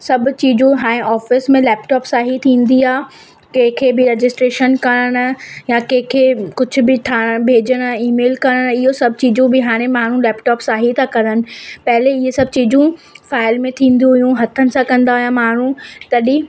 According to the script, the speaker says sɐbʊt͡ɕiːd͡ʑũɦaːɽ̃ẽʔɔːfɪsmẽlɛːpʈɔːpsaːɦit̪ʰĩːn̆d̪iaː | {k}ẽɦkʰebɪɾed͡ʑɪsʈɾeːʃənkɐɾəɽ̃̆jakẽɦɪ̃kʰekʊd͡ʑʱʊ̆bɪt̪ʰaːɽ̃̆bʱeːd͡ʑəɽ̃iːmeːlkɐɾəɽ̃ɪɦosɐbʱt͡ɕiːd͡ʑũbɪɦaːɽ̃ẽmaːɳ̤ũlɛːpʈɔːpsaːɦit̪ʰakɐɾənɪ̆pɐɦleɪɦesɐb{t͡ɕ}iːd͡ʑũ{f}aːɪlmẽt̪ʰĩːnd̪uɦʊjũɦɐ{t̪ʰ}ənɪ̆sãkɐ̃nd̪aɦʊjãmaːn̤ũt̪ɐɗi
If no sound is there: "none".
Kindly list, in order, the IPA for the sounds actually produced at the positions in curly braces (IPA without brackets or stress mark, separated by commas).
k, t͡ɕ, f, t̪ʰ